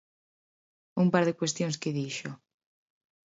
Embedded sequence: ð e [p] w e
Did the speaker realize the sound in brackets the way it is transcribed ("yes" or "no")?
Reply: no